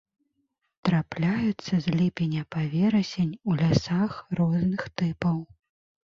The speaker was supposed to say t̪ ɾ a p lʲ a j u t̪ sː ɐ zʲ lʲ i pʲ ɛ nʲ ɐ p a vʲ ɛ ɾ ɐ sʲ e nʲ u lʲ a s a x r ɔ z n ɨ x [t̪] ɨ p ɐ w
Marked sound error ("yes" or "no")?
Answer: no